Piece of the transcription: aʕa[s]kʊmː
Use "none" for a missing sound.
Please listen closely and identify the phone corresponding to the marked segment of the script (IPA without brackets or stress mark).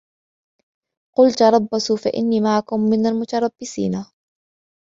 none